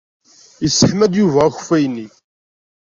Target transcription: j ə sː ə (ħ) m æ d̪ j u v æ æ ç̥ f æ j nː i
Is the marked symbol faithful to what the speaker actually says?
yes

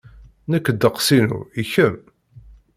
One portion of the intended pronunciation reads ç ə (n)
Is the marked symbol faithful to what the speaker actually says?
no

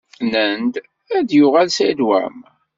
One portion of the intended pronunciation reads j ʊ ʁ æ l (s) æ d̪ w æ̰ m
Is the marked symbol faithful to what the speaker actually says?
yes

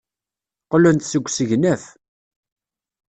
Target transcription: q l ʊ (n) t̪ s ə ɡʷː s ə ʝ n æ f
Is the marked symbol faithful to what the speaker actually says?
yes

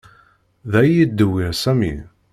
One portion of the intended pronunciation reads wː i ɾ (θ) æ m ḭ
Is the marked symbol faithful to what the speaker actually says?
no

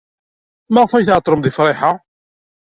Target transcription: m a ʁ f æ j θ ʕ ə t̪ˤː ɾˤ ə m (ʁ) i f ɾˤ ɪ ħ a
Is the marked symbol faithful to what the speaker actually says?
no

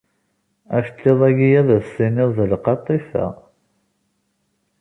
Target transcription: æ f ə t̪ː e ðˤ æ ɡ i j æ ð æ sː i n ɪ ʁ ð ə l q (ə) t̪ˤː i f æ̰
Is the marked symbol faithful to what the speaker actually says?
no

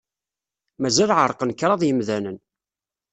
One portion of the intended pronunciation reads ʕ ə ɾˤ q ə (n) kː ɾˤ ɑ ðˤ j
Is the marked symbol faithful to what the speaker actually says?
yes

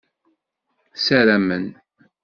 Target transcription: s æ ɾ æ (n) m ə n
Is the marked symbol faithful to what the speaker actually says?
no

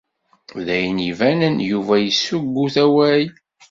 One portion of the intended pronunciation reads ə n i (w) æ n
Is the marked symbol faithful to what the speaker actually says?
no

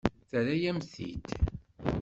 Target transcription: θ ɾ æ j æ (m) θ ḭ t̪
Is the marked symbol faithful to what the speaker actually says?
yes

